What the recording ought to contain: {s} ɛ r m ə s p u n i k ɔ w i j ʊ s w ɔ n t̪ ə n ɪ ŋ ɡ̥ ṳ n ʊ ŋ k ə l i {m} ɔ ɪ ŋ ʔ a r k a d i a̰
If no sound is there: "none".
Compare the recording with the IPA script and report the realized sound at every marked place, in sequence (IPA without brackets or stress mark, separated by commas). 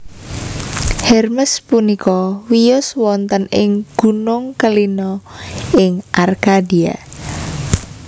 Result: h, n